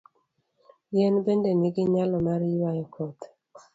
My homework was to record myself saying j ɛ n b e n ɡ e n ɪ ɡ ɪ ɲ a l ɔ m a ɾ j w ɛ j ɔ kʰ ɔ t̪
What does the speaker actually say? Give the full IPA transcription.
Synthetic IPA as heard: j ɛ n b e n d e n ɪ ɡ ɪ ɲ a l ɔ m a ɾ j w a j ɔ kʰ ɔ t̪